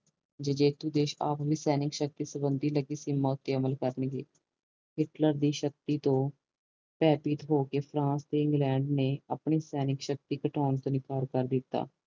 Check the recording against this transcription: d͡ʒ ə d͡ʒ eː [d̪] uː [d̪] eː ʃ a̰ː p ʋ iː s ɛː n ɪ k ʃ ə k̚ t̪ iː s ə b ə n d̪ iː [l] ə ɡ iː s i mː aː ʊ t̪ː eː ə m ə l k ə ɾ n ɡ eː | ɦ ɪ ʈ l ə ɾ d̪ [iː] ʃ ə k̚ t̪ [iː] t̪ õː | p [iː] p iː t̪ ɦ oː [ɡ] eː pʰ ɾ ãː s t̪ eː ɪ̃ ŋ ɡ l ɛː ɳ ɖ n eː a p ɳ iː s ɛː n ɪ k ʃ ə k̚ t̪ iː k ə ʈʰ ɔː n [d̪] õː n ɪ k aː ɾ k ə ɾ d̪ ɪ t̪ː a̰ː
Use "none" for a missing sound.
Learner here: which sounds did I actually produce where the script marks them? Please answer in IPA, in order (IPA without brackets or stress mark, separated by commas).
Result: t̪, d̪, l, iː, iː, ɛː, k, t̪